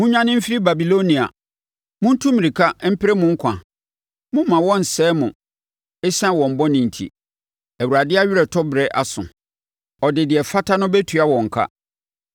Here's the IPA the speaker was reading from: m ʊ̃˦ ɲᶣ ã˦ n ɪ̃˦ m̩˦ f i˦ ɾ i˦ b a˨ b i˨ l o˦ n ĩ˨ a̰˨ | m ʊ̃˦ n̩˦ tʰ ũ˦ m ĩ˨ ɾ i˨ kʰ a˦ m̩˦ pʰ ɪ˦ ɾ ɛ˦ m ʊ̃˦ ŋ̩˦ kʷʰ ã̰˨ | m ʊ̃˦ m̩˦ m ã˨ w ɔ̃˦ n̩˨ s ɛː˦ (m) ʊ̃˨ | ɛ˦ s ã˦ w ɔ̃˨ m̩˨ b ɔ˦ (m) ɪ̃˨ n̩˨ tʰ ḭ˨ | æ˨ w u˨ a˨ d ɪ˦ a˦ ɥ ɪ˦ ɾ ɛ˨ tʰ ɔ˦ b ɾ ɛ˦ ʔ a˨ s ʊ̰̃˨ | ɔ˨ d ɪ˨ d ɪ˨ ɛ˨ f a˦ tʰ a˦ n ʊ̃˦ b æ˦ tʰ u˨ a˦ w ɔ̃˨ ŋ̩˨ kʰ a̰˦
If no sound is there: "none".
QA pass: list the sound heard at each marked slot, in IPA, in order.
m, n

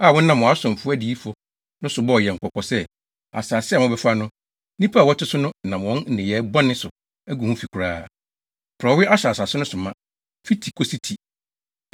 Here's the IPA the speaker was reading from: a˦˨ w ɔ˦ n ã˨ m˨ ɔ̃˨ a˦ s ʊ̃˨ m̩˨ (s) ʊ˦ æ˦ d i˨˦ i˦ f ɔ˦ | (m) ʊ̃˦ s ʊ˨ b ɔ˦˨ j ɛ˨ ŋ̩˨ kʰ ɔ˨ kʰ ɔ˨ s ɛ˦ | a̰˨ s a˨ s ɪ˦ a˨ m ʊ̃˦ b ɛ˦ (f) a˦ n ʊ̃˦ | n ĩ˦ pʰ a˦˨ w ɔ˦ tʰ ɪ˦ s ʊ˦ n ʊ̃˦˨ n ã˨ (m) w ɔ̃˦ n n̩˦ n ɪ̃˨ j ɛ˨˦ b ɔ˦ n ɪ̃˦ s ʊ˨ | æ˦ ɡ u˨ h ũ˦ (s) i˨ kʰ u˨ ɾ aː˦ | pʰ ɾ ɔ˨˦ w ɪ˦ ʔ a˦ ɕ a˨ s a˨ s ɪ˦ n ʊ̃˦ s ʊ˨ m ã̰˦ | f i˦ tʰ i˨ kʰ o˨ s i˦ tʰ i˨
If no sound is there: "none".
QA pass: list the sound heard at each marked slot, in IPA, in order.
f, n, f, m, f

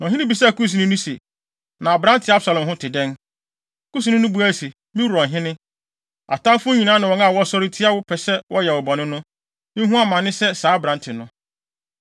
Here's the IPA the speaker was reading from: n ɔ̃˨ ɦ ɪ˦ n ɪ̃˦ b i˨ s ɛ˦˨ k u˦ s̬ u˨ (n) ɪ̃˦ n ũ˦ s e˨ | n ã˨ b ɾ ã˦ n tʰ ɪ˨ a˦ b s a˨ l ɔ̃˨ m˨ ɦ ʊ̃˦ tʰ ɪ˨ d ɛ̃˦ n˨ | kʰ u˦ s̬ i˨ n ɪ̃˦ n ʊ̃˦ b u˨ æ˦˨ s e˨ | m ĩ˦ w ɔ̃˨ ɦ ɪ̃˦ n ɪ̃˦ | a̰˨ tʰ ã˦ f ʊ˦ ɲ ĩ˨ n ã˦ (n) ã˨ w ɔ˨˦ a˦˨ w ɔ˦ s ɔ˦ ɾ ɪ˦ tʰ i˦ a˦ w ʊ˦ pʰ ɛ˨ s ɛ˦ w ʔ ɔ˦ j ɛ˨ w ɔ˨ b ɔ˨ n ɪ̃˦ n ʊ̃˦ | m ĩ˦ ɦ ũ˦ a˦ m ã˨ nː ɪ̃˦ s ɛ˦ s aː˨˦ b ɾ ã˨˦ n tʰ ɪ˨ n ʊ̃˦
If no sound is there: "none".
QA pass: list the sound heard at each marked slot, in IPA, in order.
n, n

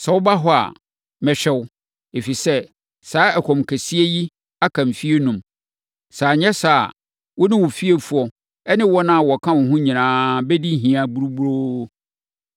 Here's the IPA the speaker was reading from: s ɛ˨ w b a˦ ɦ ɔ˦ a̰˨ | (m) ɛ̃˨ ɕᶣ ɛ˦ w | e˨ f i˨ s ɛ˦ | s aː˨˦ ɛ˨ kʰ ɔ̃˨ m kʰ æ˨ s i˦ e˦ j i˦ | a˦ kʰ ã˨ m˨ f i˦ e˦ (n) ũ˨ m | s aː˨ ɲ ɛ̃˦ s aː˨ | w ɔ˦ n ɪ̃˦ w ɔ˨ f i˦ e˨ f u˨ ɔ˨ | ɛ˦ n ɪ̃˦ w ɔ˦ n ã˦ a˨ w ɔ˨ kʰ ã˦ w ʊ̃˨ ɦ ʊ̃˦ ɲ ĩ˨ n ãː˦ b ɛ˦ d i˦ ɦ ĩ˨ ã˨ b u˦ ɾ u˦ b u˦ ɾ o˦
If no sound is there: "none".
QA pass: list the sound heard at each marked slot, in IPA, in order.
m, n

